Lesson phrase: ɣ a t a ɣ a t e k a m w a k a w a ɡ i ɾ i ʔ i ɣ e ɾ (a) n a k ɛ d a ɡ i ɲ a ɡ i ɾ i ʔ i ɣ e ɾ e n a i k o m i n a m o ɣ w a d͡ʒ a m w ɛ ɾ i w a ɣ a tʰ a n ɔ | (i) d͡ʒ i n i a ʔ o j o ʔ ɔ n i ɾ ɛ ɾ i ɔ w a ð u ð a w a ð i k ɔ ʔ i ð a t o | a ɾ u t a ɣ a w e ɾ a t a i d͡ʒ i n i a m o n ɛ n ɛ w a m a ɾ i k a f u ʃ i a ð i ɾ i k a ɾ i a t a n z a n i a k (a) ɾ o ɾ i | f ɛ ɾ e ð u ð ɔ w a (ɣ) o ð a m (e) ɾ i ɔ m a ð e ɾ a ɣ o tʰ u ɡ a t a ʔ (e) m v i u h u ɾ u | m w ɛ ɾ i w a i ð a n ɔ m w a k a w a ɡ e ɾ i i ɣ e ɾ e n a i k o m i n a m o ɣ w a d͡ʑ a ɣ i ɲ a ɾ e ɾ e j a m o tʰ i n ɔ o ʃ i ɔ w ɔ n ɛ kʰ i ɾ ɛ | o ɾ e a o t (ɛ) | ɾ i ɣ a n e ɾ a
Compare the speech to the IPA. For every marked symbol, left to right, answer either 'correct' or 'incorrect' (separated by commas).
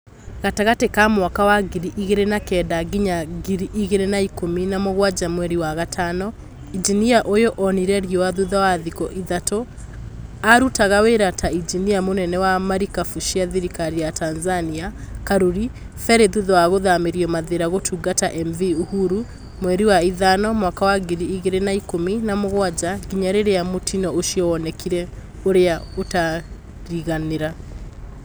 incorrect, correct, correct, correct, correct, incorrect, incorrect